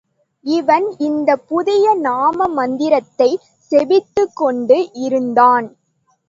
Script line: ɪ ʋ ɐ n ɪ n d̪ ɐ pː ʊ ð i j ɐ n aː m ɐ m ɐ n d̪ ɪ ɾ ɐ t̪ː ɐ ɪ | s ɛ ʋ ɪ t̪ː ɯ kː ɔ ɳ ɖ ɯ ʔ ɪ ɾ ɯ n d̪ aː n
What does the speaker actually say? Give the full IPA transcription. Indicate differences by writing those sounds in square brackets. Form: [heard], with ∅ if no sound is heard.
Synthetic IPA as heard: ɪ ʋ ɐ n ɪ n d̪ ɐ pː ʊ ð [ɪ] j ɐ n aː m ɐ m ɐ n d̪ ɪ ɾ ɐ t̪ː ɐ ɪ | s ɛ ʋ ɪ t̪ː ɯ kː ɔ ɳ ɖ ɯ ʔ ɪ ɾ ɯ n d̪ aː n